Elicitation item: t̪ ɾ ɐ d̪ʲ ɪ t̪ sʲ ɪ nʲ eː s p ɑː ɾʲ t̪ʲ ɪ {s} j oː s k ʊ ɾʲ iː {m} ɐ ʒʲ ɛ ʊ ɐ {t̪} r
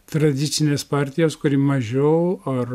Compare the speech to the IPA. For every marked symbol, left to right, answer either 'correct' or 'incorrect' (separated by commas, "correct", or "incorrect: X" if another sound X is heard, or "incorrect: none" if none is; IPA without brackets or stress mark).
incorrect: none, correct, incorrect: none